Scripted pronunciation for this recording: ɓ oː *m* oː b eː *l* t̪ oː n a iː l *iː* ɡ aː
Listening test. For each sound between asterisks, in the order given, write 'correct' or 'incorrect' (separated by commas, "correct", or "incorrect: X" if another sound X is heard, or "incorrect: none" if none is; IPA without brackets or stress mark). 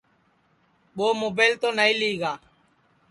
correct, correct, correct